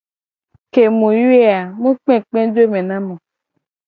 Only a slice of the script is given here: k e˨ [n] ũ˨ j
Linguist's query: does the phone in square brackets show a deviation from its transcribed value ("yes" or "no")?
yes